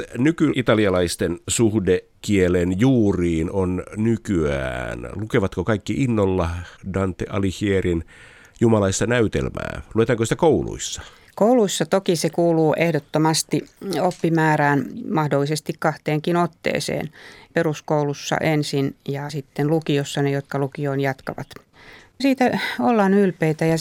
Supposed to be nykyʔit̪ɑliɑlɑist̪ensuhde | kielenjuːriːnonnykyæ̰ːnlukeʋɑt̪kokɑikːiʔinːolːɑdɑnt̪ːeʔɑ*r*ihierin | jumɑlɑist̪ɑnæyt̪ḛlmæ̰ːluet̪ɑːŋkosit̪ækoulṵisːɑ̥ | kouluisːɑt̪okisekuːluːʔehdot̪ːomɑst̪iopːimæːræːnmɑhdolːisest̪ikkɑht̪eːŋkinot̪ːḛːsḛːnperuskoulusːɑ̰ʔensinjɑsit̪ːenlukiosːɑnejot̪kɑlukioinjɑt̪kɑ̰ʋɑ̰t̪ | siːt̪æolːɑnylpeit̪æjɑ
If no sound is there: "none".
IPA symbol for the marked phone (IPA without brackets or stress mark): l